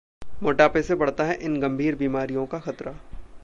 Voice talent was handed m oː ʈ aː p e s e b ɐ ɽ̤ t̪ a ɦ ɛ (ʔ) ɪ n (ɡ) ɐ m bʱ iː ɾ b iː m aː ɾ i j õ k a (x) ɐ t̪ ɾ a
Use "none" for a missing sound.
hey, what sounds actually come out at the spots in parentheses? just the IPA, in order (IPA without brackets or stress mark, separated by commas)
ʔ, ɡ, x